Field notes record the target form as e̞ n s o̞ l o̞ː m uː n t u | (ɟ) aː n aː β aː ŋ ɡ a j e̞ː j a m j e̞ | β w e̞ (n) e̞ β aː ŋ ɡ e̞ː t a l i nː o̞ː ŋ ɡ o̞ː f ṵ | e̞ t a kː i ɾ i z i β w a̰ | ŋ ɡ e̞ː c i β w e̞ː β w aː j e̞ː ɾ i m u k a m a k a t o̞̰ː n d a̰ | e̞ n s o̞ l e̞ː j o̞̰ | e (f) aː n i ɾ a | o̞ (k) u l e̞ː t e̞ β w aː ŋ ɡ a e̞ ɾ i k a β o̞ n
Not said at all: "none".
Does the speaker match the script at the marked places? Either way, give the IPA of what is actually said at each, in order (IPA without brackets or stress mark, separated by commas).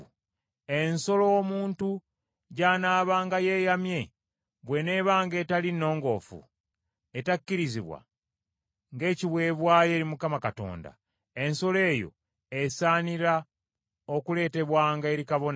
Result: ɟ, n, s, k